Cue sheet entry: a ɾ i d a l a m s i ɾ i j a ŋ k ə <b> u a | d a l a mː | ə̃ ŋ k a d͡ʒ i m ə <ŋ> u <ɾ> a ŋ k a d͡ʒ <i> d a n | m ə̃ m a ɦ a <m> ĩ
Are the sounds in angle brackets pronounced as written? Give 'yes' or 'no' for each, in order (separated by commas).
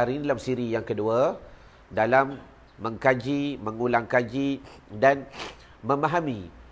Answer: no, yes, no, yes, yes